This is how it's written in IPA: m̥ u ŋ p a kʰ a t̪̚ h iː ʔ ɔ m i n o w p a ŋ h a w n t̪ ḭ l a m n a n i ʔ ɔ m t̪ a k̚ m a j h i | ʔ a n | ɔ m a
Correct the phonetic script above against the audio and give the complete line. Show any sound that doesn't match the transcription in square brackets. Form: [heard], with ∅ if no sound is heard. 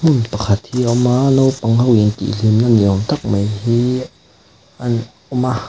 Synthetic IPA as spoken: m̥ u [n] p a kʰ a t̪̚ h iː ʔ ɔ m [a] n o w p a ŋ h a w n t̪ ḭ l [i] m n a n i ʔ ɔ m t̪ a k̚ m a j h i | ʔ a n | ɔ m a